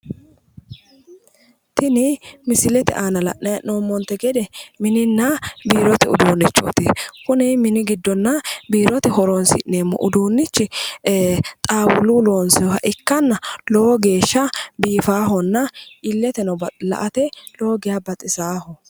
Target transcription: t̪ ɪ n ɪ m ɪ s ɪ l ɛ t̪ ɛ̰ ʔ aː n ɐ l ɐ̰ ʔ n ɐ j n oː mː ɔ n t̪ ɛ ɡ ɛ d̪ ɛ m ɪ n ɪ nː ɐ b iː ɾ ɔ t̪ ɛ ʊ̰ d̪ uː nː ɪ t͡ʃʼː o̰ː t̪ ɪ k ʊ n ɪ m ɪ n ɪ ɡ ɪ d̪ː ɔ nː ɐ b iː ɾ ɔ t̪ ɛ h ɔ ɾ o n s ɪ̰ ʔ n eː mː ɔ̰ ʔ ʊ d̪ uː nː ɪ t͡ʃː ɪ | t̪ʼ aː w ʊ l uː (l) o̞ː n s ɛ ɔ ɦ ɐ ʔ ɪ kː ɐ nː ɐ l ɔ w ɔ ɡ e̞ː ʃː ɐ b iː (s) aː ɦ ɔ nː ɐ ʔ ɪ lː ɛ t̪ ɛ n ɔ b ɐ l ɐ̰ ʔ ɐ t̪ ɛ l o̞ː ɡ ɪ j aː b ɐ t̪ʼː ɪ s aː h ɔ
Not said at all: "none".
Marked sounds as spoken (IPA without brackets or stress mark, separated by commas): l, f